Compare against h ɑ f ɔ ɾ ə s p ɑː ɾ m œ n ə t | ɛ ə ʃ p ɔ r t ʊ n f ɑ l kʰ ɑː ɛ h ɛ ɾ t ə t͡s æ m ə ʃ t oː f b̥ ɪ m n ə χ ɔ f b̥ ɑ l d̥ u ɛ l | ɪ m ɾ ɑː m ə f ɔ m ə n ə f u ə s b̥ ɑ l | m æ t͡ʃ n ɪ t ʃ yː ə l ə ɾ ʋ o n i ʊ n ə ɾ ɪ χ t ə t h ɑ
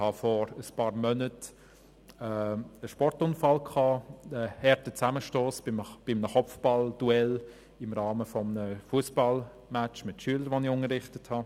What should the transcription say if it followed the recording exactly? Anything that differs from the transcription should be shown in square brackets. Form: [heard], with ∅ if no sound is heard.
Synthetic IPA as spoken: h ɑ f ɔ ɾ ə s p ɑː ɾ m œ n ə t | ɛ ə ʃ p ɔ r t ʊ n f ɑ l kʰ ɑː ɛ h ɛ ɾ t ə t͡s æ m ə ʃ t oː [s] b̥ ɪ m n ə χ ɔ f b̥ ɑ l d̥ u ɛ l | ɪ m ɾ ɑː m ə f ɔ m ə n ə f u ə s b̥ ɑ l | m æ t͡ʃ [m] ɪ t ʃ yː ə l ə ɾ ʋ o n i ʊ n ə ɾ ɪ χ t ə t h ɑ